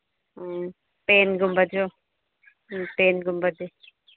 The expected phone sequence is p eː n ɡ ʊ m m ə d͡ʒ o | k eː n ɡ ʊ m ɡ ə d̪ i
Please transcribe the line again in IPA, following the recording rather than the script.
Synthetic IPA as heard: p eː n ɡ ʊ m b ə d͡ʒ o | p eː n ɡ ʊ m b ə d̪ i